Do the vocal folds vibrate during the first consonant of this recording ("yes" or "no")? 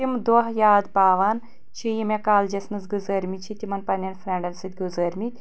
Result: yes